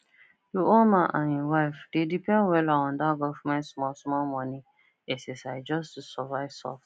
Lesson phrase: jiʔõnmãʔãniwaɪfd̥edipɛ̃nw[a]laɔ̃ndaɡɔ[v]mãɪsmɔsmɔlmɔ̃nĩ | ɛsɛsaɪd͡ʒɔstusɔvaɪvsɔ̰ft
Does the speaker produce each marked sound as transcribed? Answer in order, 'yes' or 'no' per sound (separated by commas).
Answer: no, no